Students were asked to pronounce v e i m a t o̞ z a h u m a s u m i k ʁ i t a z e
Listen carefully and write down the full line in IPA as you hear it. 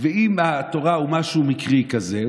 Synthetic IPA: v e i m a t o̞ ʁ a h u m a ʃ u m i k ʁ i k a z e